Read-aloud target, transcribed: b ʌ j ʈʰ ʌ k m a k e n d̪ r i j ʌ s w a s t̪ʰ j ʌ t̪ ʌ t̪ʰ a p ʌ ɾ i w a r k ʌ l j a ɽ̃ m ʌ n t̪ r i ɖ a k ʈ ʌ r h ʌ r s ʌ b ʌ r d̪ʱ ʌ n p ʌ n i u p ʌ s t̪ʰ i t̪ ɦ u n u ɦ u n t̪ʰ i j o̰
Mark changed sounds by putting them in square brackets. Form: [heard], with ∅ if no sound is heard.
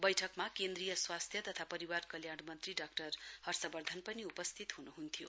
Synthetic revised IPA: b ʌ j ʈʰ ʌ k m a k e n d̪ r i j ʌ s w a s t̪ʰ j ʌ t̪ ʌ t̪ʰ a p ʌ ɾ i w a r k ʌ l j a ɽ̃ m ʌ n t̪ r i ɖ a k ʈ ʌ r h ʌ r s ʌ b ʌ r d̪ʱ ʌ n p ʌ n i u p ʌ s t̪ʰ i t̪ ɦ u n u ɦ u n t̪ʰ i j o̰

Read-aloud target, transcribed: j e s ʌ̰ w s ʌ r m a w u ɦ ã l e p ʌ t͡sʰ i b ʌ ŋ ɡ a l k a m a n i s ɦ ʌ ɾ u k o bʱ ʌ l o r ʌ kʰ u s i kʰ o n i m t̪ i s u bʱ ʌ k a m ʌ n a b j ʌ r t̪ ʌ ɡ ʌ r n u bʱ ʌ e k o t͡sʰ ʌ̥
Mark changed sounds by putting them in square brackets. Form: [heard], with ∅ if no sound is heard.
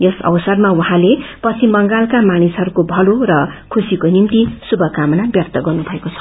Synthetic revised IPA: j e s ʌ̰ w s ʌ r m a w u ɦ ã l e p ʌ t͡sʰ i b ʌ ŋ ɡ a l k a m a n i s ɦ ʌ ɾ u k o bʱ ʌ l o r ʌ kʰ u s i [k] o n i m t̪ i s u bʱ ʌ k a m ʌ n a b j ʌ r t̪ ʌ ɡ ʌ r n u bʱ ʌ e k o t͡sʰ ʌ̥

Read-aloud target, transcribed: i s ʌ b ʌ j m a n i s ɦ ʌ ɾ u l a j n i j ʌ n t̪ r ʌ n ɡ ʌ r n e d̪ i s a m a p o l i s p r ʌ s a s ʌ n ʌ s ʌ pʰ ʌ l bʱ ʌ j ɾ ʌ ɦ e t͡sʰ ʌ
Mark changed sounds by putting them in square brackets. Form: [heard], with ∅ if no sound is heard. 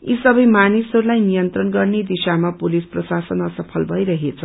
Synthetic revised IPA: i s ʌ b ʌ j m a n i s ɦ ʌ ɾ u l a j n i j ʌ n t̪ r ʌ n ɡ ʌ r n e d̪ i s a m a p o l i s p r ʌ s a s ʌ n ʌ s ʌ pʰ ʌ l bʱ ʌ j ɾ ʌ ɦ e t͡sʰ ʌ

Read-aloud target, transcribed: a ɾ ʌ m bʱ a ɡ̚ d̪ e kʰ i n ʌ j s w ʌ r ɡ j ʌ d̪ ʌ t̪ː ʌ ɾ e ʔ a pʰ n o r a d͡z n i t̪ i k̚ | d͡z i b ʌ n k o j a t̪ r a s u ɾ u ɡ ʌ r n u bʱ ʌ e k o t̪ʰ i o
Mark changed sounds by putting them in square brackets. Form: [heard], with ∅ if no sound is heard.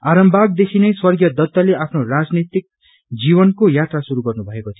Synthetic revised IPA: a ɾ ʌ m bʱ a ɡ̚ d̪ e kʰ i n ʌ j s w ʌ r ɡ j ʌ d̪ ʌ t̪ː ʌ [l] e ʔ a pʰ n o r a d͡z n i t̪ i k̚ | d͡z i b ʌ n k o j a t̪ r a s u ɾ u ɡ ʌ r n u bʱ ʌ e k o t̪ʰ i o

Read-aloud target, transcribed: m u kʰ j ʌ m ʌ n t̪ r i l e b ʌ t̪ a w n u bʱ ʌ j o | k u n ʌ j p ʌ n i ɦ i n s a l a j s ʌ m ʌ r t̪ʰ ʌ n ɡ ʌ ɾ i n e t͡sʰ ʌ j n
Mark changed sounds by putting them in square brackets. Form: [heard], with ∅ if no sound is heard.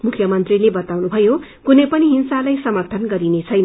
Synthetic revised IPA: m u kʰ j ʌ m ʌ n t̪ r i l e b ʌ t̪ a w n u bʱ ʌ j o | k u n ʌ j p ʌ n i ɦ i n s a l a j s ʌ m ʌ r t̪ʰ ʌ n ɡ ʌ ɾ i n e t͡sʰ ʌ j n

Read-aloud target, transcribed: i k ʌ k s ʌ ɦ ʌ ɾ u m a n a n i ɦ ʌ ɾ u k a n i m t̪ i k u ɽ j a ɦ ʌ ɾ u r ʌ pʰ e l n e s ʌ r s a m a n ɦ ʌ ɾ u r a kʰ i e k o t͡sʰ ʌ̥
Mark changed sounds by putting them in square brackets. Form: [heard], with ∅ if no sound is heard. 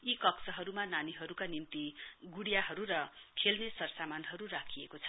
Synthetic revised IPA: i k ʌ k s ʌ ɦ ʌ ɾ u m a n a n i ɦ ʌ ɾ u k a n i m t̪ i [ɡ] u ɽ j a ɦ ʌ ɾ u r ʌ [kʰ] e l n e s ʌ r s a m a n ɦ ʌ ɾ u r a kʰ i e k o t͡sʰ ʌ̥

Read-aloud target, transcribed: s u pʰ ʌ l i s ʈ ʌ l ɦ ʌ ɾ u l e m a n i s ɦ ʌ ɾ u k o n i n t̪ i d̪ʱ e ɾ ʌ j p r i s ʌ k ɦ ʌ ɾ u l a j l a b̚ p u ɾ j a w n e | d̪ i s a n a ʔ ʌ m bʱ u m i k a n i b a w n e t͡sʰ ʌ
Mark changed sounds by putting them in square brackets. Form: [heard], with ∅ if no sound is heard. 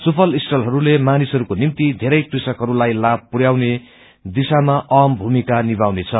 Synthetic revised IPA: s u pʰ ʌ l i s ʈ ʌ l ɦ ʌ ɾ u l e m a n i s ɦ ʌ ɾ u k o n i [m] t̪ i d̪ʱ e ɾ ʌ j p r i s ʌ k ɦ ʌ ɾ u l a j l a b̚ p u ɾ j a w n e | d̪ i s a [m] a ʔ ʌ m bʱ u m i k a n i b a w n e t͡sʰ ʌ

